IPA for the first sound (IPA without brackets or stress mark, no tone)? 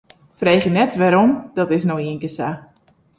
f